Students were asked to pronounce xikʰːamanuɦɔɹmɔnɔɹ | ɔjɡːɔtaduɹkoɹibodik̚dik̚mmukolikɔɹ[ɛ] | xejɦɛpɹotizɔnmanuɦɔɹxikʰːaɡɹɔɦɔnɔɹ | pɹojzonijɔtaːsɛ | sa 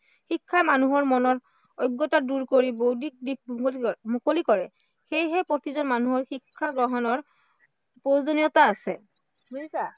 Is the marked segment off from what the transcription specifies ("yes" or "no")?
no